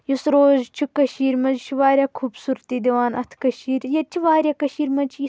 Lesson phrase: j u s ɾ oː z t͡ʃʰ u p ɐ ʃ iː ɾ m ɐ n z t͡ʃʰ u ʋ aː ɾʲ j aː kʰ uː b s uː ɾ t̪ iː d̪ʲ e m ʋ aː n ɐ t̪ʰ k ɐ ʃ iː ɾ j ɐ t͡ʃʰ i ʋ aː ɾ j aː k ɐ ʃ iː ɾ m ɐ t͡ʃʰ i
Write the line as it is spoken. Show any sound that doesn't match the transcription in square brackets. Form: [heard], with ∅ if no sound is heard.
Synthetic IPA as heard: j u s ɾ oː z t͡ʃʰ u [k] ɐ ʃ iː ɾ m ɐ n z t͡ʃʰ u ʋ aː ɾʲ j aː kʰ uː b s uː ɾ t̪ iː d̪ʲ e [∅] ʋ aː n ɐ t̪ʰ k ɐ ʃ iː ɾ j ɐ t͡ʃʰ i ʋ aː ɾ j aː k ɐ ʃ iː ɾ m ɐ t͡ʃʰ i